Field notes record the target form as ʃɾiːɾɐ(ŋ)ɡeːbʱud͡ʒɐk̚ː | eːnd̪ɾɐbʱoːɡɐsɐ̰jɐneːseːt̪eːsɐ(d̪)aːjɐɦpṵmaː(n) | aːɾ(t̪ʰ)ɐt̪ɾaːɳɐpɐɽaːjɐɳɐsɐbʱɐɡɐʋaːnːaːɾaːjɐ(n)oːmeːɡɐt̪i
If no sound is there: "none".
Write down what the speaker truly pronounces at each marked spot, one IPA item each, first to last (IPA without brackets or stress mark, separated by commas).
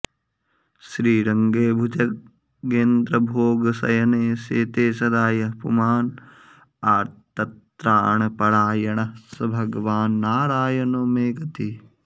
ŋ, d̪, n, t̪, n